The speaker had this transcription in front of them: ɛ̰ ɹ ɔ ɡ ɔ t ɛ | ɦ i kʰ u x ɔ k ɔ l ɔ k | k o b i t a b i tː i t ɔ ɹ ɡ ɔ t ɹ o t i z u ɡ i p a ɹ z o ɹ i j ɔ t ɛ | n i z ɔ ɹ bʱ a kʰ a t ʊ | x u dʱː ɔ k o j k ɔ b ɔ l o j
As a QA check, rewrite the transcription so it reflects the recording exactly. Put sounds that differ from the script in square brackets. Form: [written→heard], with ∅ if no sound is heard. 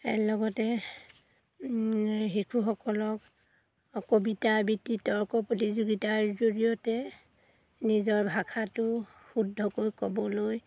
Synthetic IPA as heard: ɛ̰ [ɹ→l] ɔ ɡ ɔ t ɛ | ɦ i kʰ u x ɔ k ɔ l ɔ k | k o b i t a b i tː i t ɔ ɹ [ɡ→k] ɔ [t→p] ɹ o t i z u ɡ i [p→t] a ɹ z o ɹ i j ɔ t ɛ | n i z ɔ ɹ bʱ a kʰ a t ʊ | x u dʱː ɔ k o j k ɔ b ɔ l o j